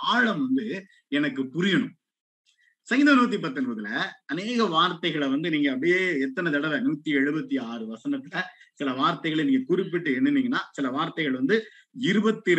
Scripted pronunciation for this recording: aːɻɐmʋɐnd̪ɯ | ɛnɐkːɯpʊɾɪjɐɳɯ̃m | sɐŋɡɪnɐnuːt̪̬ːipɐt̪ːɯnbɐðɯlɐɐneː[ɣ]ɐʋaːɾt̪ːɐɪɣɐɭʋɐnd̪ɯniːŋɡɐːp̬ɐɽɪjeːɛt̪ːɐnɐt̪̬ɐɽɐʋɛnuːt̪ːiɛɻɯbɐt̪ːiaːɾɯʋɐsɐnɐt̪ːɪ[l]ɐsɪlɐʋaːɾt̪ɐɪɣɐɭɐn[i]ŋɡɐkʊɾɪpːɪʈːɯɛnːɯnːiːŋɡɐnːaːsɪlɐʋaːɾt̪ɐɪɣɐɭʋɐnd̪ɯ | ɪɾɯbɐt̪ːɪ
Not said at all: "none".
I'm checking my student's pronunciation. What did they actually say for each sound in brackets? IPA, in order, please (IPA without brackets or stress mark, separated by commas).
ɣ, l, iː